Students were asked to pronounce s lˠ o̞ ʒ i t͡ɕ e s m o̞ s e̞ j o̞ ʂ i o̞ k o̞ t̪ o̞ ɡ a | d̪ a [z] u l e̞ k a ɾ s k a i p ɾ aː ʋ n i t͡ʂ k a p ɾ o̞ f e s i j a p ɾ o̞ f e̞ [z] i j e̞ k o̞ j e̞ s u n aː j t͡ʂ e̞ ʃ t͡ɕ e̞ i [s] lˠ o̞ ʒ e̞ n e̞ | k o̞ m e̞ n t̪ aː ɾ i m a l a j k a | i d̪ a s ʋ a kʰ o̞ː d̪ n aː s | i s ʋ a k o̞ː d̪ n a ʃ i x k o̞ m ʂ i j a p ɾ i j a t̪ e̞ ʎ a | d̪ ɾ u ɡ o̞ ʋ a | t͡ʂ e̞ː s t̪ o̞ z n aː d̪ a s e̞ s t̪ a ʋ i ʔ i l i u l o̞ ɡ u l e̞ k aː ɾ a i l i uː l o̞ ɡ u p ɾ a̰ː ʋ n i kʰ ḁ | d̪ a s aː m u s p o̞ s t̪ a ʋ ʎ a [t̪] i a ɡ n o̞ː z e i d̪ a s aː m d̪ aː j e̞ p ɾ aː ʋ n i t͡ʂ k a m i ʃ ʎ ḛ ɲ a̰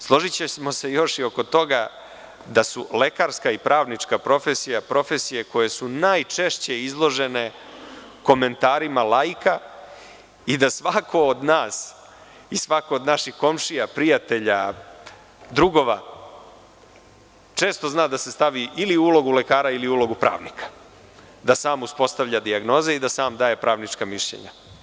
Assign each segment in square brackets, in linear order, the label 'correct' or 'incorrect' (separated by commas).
incorrect, incorrect, incorrect, incorrect